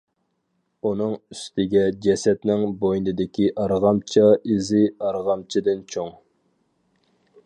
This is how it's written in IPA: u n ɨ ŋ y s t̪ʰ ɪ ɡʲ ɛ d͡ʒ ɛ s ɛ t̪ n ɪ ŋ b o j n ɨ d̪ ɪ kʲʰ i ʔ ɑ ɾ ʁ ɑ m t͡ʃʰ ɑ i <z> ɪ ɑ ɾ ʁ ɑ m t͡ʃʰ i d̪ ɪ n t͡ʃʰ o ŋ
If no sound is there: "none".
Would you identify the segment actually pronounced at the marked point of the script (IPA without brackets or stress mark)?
z